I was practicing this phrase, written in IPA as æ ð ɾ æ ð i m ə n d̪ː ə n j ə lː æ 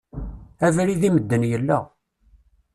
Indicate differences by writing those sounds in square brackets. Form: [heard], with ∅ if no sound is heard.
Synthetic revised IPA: æ [v] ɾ [i] ð i m ə [∅] d̪ː ə n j ə lː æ